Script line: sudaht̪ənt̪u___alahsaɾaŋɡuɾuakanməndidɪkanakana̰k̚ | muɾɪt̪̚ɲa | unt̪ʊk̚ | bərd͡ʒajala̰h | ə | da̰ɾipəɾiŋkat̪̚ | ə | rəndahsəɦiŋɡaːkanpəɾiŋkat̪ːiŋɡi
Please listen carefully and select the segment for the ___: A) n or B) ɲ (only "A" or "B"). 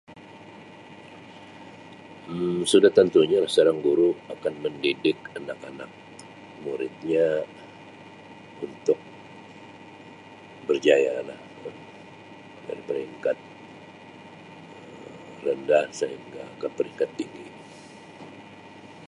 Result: B